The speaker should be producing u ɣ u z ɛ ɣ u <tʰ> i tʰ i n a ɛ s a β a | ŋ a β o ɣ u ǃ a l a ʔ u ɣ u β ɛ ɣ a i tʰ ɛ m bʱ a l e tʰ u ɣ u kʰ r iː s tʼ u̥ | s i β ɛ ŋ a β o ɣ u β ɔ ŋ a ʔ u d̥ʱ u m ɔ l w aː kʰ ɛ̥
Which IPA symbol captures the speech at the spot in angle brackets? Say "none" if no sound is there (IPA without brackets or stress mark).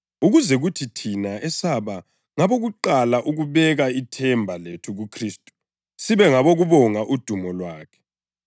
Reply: tʰ